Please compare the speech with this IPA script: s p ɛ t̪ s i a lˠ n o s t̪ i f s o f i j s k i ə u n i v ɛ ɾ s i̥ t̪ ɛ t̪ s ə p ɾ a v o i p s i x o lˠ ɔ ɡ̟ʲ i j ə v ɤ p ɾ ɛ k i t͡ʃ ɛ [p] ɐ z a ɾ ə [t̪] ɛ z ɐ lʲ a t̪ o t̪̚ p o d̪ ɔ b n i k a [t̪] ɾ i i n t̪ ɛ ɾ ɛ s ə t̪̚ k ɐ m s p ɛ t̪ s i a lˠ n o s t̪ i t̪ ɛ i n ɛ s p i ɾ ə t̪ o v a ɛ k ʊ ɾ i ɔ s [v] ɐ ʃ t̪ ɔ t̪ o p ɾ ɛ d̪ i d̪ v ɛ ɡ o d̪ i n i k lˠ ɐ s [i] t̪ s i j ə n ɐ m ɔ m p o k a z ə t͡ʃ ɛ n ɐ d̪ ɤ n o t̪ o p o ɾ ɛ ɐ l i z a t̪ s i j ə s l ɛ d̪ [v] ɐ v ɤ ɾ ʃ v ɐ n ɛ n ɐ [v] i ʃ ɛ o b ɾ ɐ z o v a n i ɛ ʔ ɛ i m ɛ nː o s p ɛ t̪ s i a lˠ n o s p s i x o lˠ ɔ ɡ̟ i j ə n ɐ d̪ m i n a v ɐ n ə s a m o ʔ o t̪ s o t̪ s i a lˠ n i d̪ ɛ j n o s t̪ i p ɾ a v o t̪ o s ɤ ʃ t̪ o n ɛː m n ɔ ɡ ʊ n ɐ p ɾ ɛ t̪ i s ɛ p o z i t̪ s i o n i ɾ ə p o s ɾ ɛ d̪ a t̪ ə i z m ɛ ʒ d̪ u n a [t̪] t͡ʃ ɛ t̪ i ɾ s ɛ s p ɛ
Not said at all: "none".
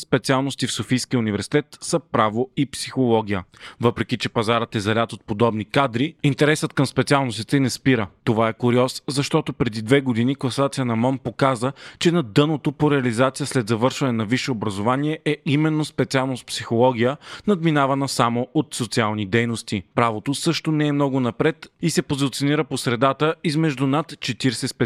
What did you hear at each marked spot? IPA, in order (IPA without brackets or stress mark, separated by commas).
p, t̪, d̪, z, a, z, v, t̪